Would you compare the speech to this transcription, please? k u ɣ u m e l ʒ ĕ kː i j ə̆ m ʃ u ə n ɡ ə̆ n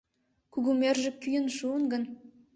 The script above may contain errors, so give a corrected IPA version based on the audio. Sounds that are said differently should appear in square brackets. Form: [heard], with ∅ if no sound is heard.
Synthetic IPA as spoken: k u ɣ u m e [r] ʒ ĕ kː [y] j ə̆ [n] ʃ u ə n ɡ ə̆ n